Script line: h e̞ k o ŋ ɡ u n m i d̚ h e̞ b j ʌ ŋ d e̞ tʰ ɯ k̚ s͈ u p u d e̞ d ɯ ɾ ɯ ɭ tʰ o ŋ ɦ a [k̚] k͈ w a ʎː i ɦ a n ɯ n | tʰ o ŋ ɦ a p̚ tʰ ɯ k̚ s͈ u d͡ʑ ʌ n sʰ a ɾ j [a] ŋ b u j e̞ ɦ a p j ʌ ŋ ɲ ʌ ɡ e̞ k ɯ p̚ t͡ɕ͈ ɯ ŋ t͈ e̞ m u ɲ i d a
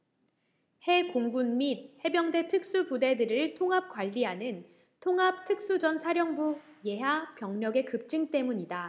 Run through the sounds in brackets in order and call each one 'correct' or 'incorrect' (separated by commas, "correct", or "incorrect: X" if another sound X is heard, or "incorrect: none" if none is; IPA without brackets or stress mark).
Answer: incorrect: p̚, incorrect: ʌ